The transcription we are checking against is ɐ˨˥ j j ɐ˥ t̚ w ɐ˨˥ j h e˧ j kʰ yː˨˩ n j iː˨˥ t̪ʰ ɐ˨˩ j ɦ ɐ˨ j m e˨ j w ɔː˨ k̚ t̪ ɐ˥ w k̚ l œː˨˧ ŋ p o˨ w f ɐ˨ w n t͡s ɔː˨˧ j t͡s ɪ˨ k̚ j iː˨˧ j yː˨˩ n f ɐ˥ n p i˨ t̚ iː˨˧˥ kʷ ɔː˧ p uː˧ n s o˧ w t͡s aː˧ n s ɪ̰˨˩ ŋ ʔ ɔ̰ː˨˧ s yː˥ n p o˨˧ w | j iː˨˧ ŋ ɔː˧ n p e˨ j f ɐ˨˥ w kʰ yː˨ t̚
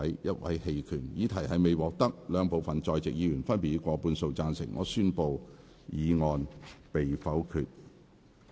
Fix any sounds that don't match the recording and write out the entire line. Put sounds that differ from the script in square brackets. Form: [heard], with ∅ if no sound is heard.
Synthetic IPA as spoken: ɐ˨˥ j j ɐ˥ t̚ w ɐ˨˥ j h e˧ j kʰ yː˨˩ n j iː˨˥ t̪ʰ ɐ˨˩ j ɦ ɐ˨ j m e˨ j w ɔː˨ k̚ t̪ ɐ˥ [∅] k̚ l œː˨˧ ŋ p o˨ w f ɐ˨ [∅] n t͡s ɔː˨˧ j t͡s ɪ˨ k̚ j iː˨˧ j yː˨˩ n f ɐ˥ n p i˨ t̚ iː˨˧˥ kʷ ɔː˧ p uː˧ n s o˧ w t͡s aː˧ n s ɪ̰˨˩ ŋ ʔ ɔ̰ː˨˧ s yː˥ n p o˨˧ w | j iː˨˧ ŋ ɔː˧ n p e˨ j f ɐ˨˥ w kʰ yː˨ t̚